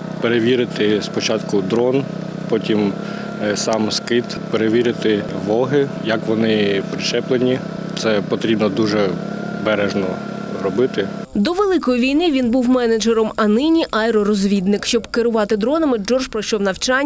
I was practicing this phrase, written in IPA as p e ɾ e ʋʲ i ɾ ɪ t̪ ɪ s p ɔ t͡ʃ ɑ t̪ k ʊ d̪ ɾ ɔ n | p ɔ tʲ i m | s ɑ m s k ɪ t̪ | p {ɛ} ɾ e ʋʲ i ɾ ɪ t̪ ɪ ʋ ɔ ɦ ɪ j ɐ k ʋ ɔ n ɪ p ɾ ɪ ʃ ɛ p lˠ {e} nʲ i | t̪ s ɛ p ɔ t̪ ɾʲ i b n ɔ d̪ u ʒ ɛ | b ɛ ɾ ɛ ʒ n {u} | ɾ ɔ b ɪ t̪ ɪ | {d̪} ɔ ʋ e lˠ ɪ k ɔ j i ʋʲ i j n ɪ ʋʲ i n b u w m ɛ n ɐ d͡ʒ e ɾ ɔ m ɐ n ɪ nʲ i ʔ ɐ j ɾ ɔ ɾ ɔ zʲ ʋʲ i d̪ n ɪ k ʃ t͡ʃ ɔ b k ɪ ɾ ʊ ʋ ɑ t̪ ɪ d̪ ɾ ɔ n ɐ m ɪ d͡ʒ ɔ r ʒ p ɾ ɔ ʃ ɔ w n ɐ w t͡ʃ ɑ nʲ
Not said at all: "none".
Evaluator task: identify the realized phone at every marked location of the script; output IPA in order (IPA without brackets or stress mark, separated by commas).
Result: e, e, ɔ, d̪